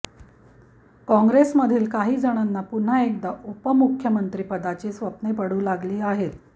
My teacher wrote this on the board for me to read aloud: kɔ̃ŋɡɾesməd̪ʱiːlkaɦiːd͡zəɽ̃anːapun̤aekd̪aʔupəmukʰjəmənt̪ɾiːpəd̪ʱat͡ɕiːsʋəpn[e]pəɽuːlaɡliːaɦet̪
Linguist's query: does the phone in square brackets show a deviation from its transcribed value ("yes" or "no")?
no